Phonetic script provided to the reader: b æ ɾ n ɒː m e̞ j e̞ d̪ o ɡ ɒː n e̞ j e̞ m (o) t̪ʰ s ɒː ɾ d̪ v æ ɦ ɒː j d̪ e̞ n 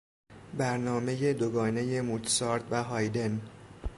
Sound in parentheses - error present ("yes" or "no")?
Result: yes